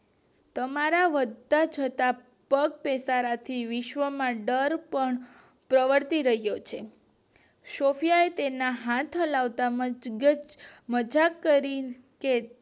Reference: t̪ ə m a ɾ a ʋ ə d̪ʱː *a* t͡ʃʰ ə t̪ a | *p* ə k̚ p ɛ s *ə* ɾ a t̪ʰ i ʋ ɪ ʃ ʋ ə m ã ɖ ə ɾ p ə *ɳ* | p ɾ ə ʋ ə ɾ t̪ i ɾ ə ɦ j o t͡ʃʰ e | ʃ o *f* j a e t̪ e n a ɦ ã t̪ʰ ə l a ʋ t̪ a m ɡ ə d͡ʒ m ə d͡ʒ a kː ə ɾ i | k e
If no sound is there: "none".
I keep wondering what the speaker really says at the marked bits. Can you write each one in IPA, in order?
a, p, a, ɳ, f

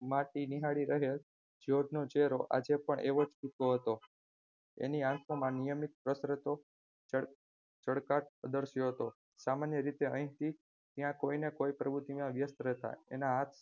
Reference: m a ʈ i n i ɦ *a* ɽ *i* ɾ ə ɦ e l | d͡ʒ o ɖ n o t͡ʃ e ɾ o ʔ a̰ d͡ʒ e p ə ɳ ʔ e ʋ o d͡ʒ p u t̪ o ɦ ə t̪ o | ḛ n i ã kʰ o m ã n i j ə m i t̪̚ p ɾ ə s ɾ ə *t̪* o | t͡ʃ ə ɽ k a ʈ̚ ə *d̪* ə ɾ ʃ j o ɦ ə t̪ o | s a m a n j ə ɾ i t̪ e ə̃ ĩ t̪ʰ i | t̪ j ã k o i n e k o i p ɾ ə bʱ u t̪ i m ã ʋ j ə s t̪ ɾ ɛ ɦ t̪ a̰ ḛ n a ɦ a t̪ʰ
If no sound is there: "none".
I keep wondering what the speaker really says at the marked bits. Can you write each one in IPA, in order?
a, i, t̪, d̪

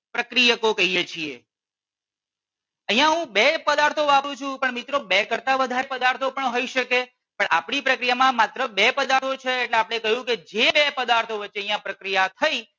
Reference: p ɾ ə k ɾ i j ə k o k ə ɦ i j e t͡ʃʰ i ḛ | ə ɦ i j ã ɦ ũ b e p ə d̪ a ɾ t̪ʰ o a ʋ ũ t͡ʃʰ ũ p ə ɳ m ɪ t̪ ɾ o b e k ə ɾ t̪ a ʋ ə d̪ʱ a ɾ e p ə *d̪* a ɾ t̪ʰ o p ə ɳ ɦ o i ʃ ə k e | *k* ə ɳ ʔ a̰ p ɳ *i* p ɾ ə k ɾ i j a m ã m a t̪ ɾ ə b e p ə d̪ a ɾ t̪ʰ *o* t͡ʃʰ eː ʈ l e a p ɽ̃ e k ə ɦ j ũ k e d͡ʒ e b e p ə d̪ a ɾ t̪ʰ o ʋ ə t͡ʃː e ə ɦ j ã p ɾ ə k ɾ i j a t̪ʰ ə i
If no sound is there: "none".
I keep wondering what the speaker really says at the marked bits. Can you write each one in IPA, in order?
d̪, p, i, o

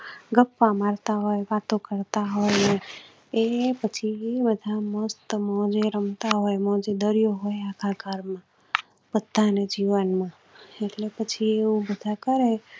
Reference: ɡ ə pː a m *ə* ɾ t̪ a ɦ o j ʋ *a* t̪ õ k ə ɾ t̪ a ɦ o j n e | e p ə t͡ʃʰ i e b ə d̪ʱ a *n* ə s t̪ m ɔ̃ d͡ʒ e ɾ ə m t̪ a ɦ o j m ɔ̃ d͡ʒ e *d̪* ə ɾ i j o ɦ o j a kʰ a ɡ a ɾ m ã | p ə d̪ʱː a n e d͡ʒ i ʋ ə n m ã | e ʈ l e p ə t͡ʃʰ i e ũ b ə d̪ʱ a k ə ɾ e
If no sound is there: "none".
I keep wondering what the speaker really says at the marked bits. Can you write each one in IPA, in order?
a, a, m, d̪

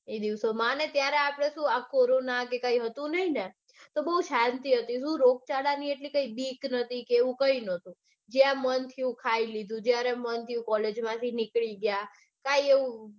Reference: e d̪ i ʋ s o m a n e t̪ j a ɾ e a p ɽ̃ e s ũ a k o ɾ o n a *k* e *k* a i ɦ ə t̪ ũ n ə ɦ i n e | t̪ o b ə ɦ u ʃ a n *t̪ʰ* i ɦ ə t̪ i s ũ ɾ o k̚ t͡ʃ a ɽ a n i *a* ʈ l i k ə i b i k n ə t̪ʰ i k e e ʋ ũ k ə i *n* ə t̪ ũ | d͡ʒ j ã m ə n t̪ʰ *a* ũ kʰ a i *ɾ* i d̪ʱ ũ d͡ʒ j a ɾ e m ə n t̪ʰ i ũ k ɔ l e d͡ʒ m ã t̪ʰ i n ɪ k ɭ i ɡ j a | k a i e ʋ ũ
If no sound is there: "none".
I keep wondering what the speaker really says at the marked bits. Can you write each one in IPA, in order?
k, k, t̪, e, n, i, l

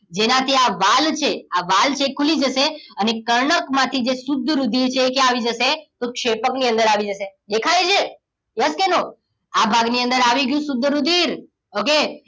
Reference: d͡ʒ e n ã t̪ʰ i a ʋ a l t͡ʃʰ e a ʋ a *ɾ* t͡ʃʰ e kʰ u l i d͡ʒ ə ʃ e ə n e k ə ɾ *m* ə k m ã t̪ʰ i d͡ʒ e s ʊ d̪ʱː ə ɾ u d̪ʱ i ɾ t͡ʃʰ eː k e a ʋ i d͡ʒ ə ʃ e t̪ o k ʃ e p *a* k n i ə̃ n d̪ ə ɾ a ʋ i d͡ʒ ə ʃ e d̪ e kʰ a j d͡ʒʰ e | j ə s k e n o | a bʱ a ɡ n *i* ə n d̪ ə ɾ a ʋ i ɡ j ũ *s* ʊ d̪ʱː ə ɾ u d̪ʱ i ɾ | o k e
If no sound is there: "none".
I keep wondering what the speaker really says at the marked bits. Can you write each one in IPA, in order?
l, ɳ, ə, i, s

